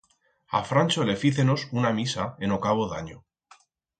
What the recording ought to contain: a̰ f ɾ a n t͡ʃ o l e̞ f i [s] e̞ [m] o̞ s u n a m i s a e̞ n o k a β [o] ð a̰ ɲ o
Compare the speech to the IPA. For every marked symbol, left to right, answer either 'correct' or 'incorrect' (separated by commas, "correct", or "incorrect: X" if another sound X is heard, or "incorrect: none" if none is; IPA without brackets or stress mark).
incorrect: θ, incorrect: n, correct